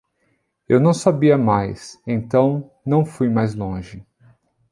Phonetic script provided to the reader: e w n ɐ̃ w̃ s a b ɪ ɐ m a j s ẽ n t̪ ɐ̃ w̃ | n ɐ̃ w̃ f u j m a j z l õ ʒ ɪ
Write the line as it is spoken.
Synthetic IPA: e w n ɐ̃ w̃ s a b i ɐ m a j s ẽ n t̪ ɐ̃ w̃ | n ɐ̃ w̃ f u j m a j z l õ ʒ ɪ